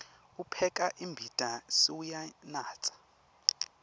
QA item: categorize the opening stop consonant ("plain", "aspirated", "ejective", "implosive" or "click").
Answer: aspirated